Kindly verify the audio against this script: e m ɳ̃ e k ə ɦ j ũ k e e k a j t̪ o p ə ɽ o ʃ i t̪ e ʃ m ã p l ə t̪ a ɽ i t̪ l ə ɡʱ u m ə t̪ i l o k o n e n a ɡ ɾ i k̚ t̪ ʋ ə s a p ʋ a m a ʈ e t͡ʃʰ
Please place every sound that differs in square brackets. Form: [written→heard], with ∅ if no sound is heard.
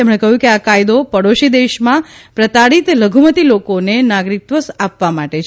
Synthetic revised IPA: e m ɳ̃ e k ə ɦ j ũ k e [e→a] k a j [t̪→d̪] o p ə ɽ o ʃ i [t̪→d̪] e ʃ m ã p [l→ɾ] ə t̪ a ɽ i t̪ l ə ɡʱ u m ə t̪ i l o k o n e n a ɡ ɾ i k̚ t̪ ʋ ə s a p ʋ a m a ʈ e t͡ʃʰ